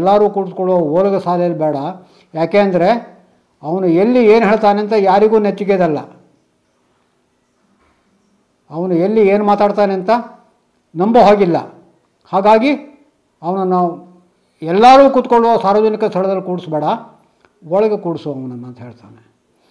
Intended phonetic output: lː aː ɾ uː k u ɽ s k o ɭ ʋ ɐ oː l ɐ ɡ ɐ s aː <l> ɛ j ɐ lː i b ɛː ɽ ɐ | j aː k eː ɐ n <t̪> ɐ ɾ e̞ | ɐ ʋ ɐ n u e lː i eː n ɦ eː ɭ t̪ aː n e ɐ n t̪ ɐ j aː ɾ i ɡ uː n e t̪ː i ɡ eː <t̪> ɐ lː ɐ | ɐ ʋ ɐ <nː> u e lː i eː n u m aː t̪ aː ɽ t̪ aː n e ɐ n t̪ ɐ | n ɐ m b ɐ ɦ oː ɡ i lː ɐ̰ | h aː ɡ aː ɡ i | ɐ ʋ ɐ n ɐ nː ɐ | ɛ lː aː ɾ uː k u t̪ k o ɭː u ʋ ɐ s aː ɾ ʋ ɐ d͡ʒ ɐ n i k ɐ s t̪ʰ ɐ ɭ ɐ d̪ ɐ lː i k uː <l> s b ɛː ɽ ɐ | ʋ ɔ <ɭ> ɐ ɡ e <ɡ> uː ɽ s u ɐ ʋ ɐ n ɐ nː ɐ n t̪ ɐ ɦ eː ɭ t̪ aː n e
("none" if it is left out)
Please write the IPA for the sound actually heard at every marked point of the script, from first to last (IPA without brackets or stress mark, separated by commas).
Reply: l, d̪, d̪, n, ɽ, ɭ, k